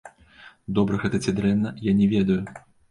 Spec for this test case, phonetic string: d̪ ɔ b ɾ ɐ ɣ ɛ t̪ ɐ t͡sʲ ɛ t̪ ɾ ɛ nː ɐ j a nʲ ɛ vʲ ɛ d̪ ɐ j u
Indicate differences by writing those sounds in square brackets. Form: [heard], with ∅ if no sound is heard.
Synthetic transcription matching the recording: d̪ ɔ b ɾ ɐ ɣ ɛ t̪ ɐ t͡sʲ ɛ [d̪] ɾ ɛ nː ɐ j a nʲ ɛ vʲ ɛ d̪ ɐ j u